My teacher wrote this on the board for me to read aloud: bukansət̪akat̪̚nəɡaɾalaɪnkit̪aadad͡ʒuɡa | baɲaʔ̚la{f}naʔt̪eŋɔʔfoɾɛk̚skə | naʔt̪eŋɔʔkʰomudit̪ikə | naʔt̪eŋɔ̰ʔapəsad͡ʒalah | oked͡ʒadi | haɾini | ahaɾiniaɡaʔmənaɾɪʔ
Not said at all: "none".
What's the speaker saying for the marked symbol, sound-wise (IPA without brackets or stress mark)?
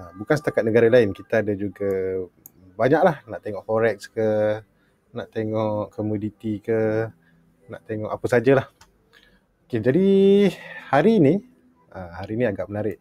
h